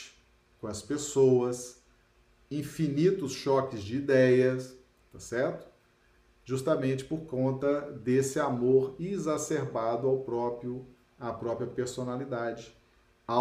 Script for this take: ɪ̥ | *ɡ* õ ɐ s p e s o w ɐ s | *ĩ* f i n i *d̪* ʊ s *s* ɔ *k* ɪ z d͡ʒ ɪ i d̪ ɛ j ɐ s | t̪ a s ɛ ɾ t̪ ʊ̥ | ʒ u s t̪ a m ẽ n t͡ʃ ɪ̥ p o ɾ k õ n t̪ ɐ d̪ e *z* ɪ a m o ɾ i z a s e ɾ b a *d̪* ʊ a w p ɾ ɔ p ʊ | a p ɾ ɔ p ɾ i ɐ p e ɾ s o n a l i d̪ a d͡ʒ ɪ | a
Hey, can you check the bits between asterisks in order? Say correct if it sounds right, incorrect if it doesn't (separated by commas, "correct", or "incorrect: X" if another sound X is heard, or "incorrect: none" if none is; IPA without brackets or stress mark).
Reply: incorrect: k, correct, incorrect: t̪, incorrect: ʃ, correct, incorrect: s, correct